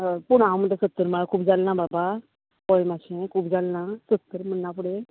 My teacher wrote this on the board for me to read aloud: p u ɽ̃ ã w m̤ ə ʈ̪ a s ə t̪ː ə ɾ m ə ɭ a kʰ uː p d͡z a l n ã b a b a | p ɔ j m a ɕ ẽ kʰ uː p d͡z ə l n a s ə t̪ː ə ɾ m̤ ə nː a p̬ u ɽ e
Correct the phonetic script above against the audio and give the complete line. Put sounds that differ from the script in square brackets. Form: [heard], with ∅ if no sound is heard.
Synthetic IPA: p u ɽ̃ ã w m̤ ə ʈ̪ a s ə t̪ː ə ɾ m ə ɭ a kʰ uː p d͡z a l n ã b a b a | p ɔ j m a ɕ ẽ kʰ uː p d͡z [a] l n a s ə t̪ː ə ɾ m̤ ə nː a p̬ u ɽ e